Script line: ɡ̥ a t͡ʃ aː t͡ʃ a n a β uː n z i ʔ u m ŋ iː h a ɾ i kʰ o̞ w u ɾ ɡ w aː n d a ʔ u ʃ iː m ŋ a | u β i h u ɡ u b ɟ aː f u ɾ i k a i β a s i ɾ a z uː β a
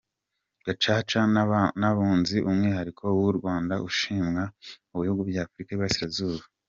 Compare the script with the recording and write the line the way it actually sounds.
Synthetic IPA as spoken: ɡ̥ a t͡ʃ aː t͡ʃ a n a β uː n z i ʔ u m ŋ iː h a ɾ i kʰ o̞ w u ɾ ɡ w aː n d a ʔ u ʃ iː m ŋ a | u β i h u ɡ u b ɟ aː f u ɾ i k a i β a s i ɾ a z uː β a